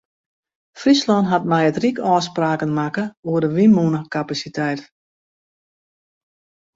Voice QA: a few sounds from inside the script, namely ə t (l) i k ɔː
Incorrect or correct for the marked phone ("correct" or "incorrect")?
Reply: incorrect